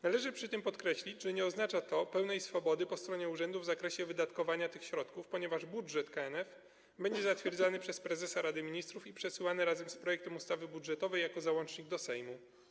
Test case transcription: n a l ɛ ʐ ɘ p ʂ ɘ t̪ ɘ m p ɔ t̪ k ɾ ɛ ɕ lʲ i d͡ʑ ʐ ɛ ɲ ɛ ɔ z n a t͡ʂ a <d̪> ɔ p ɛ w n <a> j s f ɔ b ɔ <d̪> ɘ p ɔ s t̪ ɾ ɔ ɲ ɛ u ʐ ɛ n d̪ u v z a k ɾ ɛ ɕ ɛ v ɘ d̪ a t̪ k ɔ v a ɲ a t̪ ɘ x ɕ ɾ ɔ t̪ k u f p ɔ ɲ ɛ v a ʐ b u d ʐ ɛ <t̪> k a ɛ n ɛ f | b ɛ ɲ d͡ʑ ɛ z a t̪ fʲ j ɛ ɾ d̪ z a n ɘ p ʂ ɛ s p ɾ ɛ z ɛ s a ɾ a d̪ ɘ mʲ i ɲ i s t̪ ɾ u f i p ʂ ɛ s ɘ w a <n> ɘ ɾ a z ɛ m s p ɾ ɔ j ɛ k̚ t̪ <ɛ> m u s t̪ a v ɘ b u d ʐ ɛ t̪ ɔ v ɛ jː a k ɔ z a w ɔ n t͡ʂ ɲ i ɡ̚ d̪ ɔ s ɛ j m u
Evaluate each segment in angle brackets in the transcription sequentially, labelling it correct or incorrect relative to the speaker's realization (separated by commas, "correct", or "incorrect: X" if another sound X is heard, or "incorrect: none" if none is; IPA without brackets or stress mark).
incorrect: t̪, incorrect: ɛ, correct, correct, correct, correct